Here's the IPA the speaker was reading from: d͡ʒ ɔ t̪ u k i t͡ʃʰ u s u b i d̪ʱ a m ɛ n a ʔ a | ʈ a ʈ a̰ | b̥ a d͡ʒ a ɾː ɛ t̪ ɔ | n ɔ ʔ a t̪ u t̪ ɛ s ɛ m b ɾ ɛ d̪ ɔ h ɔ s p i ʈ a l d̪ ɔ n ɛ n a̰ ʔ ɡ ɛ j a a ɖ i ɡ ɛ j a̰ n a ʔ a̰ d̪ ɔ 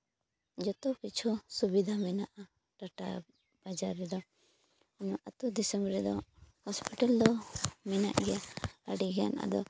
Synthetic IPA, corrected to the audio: d͡ʒ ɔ t̪ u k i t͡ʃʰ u s u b i d̪ʱ a m ɛ n a ʔ a | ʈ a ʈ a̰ | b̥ a d͡ʒ a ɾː ɛ d̪ ɔ | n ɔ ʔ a t̪ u d̪ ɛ s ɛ m b ɾ ɛ d̪ ɔ h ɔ s p i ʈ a l d̪ ɔ m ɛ n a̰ ʔ ɡ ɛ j a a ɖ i ɡ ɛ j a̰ n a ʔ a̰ d̪ ɔ

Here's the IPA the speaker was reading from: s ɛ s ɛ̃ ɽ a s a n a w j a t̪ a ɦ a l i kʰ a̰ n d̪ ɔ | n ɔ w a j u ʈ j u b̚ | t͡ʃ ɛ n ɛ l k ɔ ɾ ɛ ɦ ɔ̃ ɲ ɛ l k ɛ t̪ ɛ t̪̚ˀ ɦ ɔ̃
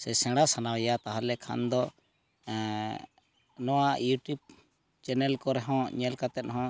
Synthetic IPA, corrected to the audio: s ɛ s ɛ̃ ɽ a s a n a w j a t̪ a ɦ a l ɛ kʰ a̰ n d̪ ɔ | n ɔ w a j u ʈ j u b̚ | t͡ʃ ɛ n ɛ l k ɔ ɾ ɛ ɦ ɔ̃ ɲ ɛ l k a t̪ ɛ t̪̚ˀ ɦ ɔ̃

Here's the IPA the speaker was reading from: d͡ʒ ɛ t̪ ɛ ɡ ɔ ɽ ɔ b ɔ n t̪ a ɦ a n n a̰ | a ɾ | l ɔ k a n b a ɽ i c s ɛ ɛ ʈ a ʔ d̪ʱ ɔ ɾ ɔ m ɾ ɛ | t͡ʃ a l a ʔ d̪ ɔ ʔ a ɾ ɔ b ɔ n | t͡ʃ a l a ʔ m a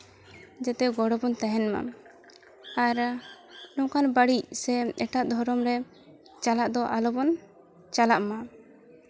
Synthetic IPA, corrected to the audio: d͡ʒ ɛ t̪ ɛ ɡ ɔ ɽ ɔ b ɔ n t̪ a ɦ ɛ n m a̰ | a ɾ | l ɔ k a n b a ɽ i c s ɛ ɛ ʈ a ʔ d̪ʱ ɔ ɾ ɔ m ɾ ɛ | t͡ʃ a l a ʔ d̪ ɔ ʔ a l ɔ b ɔ n | t͡ʃ a l a ʔ m a

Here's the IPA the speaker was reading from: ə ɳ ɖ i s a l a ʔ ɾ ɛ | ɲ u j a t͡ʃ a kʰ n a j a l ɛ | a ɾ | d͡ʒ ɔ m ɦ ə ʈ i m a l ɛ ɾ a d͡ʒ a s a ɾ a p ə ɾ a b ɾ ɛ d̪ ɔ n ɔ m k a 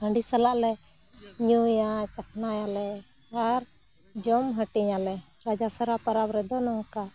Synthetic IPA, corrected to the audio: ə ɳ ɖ i s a l a ʔ l ɛ | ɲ u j a t͡ʃ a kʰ n a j a l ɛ | a ɾ | d͡ʒ ɔ m ɦ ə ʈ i ɲ a l ɛ ɾ a d͡ʒ a s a ɾ a p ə ɾ a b ɾ ɛ d̪ ɔ n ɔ ŋ k a

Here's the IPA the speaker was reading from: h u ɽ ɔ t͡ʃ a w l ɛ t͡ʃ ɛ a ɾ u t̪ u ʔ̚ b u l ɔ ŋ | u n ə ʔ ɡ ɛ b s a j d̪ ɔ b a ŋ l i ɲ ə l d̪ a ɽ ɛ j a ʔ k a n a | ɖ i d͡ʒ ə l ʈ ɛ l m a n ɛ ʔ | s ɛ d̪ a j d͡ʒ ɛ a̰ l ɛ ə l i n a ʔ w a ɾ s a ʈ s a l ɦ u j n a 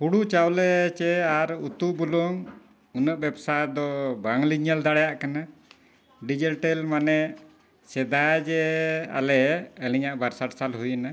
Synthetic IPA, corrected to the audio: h u ɽ u t͡ʃ a w l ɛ t͡ʃ ɛ a ɾ u t̪ u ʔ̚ b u l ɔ ŋ | u n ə ʔ b ɛ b s a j d̪ ɔ b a ŋ l i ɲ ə l d̪ a ɽ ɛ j a ʔ k a n a | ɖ i d͡ʒ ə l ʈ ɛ l m a n ɛ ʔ | s ɛ d̪ a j d͡ʒ ɛ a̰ l ɛ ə l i ɲ a ʔ b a ɾ s a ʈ s a l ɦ u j n a

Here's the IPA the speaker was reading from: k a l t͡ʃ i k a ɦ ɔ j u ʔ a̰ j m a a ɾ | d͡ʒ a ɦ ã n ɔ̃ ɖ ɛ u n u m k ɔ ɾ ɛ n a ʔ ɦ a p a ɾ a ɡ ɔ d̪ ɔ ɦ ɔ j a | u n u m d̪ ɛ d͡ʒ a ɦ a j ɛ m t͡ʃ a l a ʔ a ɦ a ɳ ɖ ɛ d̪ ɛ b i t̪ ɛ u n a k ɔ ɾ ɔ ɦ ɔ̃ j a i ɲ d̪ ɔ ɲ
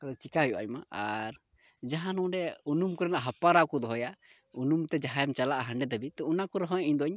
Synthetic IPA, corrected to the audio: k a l t͡ʃ i k a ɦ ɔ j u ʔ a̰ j m a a ɾ | d͡ʒ a ɦ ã n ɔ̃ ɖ ɛ u n u m k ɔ ɾ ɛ n a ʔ ɦ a p a ɾ a k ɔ d̪ ɔ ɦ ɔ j a | u n u m t̪ ɛ d͡ʒ a ɦ a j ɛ m t͡ʃ a l a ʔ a ɦ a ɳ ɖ ɛ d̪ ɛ b i t̪ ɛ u n a k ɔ ɾ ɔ ɦ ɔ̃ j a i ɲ d̪ ɔ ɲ

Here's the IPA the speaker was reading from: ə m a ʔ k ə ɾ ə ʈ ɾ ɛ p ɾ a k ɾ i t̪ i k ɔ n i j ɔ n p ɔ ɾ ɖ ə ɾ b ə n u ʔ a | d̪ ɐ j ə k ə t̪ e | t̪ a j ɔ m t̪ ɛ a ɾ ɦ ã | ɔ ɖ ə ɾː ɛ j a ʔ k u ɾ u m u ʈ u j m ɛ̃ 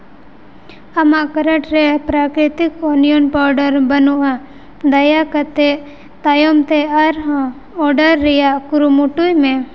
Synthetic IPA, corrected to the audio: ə m a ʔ k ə ɾ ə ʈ ɾ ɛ p ɾ a k ɾ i t̪ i k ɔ n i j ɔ n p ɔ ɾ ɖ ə ɾ b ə n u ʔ a | d̪ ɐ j a k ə t̪ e | t̪ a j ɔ m t̪ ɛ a ɾ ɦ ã | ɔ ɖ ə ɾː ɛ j a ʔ k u ɾ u m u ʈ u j m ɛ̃

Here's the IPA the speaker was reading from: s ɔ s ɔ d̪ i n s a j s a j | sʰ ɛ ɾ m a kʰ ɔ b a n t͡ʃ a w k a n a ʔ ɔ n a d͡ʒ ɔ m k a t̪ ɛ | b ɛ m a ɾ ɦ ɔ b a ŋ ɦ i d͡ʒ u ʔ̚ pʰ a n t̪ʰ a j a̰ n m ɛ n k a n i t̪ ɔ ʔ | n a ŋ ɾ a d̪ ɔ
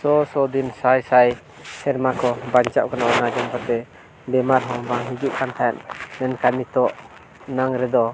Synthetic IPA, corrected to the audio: s ɔ s ɔ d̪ i n s a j s a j | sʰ ɛ ɾ m a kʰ ɔ b a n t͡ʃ a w k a n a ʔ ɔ n a d͡ʒ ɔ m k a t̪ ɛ | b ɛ m a ɾ ɦ ɔ b a ŋ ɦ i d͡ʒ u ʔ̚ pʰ a n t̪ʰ a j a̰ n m ɛ n k a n i t̪ ɔ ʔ | n a ŋ ɾ ɛ d̪ ɔ

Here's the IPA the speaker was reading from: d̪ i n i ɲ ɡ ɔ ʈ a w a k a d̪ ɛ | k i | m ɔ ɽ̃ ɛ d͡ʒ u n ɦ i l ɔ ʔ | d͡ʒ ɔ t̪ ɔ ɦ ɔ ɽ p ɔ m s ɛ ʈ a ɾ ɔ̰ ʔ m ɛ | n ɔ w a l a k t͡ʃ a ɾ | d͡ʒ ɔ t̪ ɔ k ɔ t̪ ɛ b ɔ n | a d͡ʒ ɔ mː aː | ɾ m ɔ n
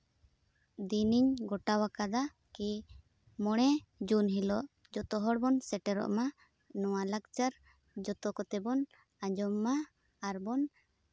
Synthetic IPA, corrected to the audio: d̪ i n i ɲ ɡ ɔ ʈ a w a k a d̪ a | k i | m ɔ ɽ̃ ɛ d͡ʒ u n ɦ i l ɔ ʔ | d͡ʒ ɔ t̪ ɔ ɦ ɔ ɽ b ɔ n s ɛ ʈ ɛ ɾ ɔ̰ ʔ m a | n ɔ w a l a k t͡ʃ a ɾ | d͡ʒ ɔ t̪ ɔ k ɔ t̪ ɛ b ɔ n | a d͡ʒ ɔ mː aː | ɾ b ɔ n

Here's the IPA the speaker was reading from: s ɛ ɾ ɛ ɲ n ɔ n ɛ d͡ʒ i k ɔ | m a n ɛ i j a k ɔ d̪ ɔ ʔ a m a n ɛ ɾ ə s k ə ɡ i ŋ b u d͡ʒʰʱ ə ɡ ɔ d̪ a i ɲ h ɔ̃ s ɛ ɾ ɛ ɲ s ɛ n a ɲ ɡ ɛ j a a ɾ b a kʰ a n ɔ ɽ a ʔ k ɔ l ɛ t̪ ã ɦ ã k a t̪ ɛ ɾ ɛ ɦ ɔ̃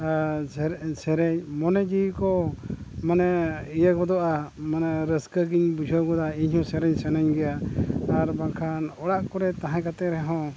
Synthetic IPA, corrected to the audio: s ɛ ɾ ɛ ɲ m ɔ n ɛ d͡ʒ i k ɔ | m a n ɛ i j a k ɔ d̪ ɔ ʔ a m a n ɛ ɾ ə s k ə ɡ i ɲ b u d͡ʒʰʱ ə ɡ ɔ d̪ a i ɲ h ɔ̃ s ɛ ɾ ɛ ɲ s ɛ n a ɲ ɡ ɛ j a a ɾ b a kʰ a n ɔ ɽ a ʔ k ɔ ɾ ɛ t̪ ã ɦ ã k a t̪ ɛ ɾ ɛ ɦ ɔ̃

